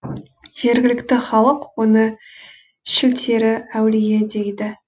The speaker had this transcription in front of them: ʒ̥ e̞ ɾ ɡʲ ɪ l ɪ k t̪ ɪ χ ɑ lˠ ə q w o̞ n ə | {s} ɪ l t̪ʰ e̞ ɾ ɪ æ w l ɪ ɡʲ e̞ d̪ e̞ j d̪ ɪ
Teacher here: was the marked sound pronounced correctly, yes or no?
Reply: no